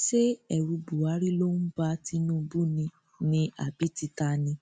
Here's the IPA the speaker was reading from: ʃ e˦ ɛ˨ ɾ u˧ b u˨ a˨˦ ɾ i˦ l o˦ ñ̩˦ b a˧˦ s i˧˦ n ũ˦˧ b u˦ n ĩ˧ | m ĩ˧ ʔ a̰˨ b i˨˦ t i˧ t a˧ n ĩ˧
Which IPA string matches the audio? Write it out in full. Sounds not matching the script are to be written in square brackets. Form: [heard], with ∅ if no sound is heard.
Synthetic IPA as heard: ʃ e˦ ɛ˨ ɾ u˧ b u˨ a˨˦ ɾ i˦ l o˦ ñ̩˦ b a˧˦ [t] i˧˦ n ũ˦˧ b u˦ n ĩ˧ | [n] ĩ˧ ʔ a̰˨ b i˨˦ t i˧ t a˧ n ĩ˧